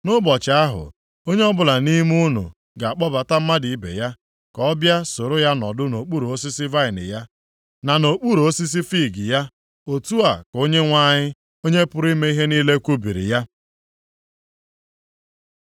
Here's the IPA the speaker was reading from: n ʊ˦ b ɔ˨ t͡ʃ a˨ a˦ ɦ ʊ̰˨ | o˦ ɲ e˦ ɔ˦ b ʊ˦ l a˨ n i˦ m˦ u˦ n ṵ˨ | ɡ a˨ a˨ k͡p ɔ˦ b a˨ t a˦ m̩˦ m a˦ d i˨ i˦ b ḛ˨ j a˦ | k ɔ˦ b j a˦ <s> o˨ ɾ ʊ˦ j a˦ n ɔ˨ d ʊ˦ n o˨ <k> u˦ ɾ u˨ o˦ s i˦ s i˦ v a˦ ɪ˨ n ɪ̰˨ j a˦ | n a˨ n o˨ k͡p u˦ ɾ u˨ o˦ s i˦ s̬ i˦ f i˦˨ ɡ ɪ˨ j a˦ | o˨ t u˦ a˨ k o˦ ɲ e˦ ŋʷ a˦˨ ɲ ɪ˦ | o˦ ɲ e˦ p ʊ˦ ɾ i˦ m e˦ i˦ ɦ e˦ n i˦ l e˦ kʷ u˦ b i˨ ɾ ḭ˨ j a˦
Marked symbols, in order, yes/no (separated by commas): yes, no